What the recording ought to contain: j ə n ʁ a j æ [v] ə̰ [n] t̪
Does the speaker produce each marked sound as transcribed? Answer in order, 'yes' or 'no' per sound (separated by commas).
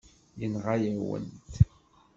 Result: no, yes